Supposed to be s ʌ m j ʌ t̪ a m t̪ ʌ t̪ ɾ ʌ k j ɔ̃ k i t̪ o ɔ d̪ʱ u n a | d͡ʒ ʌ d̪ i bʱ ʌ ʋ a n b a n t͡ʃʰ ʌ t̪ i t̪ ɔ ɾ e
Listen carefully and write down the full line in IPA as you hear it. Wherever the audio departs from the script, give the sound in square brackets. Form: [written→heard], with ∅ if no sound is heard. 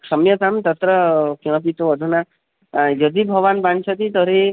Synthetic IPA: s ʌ m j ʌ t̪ a m t̪ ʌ t̪ ɾ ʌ k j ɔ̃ [k→p] i t̪ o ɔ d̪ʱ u n a | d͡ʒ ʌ d̪ i bʱ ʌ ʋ a n b a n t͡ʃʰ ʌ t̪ i t̪ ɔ ɾ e